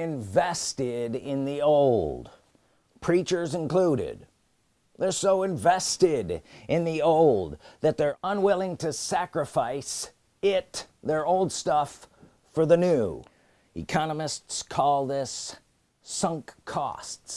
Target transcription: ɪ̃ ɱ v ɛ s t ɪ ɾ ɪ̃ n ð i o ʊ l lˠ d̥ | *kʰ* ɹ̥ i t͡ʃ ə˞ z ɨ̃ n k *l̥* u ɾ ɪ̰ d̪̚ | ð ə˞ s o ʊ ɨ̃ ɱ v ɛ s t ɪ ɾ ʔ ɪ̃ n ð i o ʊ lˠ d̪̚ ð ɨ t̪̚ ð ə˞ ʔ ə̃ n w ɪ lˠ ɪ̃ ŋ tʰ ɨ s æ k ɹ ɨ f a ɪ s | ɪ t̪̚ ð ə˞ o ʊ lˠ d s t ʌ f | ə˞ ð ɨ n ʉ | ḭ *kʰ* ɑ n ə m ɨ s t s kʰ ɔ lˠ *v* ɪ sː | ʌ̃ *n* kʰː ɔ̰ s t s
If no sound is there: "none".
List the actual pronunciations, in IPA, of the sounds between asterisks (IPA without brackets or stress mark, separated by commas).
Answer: pʰ, l̥, kʰ, ð, ŋ